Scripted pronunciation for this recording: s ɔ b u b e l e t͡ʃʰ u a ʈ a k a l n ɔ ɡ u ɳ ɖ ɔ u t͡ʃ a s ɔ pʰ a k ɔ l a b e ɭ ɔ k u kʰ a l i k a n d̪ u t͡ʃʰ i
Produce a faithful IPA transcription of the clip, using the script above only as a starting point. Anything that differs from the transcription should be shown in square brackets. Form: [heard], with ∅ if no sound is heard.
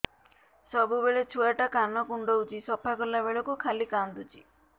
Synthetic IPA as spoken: s ɔ b u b e [ɭ] e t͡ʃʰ u a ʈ a k a [∅] n ɔ [k] u ɳ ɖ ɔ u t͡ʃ [i] s ɔ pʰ a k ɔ l a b e ɭ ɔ k u kʰ a l i k a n d̪ u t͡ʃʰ i